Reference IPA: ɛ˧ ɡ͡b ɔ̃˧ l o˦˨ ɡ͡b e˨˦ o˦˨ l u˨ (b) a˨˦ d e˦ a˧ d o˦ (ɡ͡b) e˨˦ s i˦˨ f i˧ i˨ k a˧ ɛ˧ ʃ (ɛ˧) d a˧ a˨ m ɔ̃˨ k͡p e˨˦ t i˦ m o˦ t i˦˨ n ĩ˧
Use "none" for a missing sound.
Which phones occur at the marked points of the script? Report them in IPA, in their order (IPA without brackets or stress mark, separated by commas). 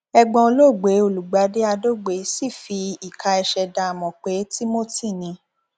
ɡ͡b, ɡ͡b, ɛ˧